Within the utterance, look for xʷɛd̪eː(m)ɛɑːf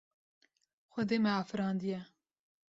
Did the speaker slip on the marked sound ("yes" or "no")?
no